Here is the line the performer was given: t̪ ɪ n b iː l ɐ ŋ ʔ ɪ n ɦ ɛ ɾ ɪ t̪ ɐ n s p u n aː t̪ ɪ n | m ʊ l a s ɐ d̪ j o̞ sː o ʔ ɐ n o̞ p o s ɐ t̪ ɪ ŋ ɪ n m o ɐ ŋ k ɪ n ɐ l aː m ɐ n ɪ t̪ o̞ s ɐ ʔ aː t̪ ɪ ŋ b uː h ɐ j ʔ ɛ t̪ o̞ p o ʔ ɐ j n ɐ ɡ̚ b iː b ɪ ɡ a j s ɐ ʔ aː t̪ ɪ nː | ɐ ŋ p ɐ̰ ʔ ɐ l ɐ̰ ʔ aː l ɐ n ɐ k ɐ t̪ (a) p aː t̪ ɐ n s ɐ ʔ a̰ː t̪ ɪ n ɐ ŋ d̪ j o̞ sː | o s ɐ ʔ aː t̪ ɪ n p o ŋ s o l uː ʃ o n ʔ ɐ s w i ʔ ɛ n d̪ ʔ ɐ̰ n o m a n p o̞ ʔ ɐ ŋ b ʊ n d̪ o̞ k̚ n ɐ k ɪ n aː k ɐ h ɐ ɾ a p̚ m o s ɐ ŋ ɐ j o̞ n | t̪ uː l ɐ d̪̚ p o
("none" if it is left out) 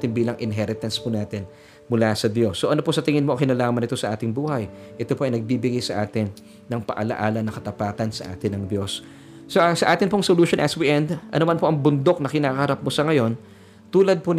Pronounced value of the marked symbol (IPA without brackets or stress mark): ɐ